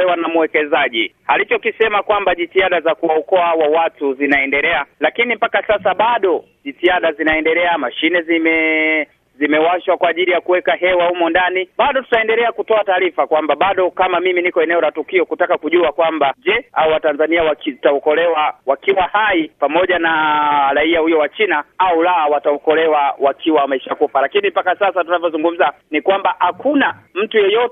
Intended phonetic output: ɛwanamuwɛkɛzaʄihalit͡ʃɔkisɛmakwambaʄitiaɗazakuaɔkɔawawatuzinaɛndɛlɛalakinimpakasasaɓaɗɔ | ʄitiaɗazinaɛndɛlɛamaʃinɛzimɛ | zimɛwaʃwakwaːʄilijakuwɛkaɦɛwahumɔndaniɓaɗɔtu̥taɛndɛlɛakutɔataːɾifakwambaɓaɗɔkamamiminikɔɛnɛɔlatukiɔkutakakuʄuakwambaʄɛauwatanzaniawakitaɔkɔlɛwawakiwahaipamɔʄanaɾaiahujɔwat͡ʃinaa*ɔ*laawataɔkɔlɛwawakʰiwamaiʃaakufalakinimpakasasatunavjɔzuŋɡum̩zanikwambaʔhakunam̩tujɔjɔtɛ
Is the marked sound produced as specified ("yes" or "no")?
no